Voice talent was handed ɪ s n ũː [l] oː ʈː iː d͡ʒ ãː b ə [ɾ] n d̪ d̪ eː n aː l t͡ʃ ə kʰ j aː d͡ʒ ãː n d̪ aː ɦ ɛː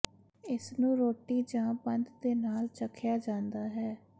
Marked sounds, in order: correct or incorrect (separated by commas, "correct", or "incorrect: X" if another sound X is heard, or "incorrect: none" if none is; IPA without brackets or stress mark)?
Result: incorrect: ɾ, incorrect: none